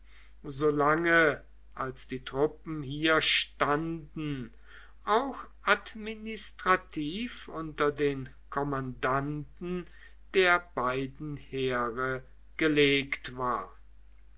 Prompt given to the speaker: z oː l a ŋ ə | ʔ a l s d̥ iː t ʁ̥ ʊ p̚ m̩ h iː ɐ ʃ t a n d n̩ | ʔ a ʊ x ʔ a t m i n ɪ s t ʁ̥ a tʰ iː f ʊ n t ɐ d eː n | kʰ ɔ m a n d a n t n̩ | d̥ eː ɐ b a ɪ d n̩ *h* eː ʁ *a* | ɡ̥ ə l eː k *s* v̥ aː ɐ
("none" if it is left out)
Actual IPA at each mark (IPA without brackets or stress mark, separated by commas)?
h, ə, t